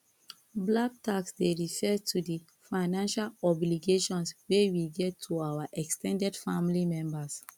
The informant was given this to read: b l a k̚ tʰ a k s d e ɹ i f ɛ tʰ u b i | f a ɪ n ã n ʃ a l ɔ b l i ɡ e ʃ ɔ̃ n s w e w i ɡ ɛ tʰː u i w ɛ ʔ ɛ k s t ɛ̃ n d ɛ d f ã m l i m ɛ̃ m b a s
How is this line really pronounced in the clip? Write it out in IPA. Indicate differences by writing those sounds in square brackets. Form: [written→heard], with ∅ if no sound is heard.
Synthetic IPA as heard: b l a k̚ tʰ a k s d e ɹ i f ɛ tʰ u [b→d] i | f a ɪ n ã n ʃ a l ɔ b l i ɡ e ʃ ɔ̃ n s w e w i ɡ ɛ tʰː u [i→a] w [ɛ→a] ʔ ɛ k s t ɛ̃ n d ɛ d f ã m l i m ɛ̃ m b a s